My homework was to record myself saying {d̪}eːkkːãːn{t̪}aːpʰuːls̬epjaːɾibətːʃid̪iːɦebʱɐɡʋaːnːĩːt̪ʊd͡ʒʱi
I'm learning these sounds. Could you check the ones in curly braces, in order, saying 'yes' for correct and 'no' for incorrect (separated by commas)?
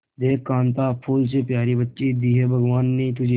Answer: yes, yes